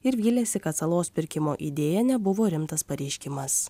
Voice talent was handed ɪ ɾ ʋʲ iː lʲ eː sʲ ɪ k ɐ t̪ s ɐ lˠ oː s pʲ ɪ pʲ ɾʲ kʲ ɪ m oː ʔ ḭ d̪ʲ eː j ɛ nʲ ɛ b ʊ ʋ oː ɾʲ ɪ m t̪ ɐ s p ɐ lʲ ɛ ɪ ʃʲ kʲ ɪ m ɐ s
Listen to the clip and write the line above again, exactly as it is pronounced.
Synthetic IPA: ɪ ɾ ʋʲ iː lʲ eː sʲ ɪ k ɐ t̪ s ɐ lˠ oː s pʲ ɪ ɾʲ kʲ ɪ m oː ʔ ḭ d̪ʲ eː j ɛ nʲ ɛ b ʊ ʋ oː ɾʲ ɪ m t̪ ɐ s p ɐ ɾʲ ɛ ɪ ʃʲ kʲ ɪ m ɐ s